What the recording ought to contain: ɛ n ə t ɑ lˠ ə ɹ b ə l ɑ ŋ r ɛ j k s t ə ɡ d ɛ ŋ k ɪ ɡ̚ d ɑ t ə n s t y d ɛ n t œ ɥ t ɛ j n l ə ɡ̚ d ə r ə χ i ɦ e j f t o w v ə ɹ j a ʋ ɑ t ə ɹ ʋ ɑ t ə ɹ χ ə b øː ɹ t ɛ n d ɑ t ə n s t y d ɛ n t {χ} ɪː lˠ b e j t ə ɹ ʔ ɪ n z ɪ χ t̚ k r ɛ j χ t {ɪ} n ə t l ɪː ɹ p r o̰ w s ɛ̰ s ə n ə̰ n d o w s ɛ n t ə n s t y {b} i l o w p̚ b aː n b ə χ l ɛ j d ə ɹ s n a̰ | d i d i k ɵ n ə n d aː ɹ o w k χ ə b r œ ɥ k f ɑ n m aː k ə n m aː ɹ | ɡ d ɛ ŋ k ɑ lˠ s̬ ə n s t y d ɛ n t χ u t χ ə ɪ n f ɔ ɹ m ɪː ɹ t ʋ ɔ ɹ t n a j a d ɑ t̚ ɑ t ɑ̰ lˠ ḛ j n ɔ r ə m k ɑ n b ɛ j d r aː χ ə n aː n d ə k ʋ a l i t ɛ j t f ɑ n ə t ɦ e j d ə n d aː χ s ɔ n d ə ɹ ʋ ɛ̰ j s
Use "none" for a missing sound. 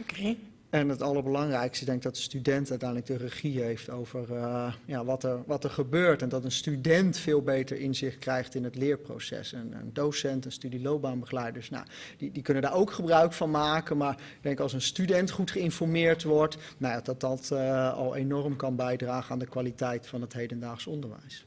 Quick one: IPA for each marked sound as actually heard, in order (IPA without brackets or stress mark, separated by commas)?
f, ɪ, d